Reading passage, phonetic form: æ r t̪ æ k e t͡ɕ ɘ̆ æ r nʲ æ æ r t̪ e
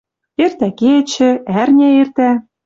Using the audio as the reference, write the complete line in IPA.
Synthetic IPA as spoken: e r t̪ æ k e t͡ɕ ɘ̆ æ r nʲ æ e r t̪ æ